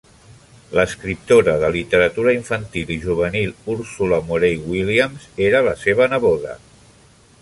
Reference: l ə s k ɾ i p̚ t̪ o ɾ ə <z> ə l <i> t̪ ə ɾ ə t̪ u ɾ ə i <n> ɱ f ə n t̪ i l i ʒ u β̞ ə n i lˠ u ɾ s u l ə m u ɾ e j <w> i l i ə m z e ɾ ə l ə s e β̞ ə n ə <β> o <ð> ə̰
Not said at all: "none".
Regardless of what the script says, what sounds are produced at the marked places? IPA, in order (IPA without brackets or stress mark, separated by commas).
ð, i, none, w, β, ð